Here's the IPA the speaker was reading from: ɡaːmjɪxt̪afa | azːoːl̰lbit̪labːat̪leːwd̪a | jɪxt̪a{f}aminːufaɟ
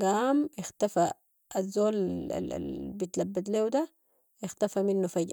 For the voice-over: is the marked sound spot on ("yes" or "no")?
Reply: yes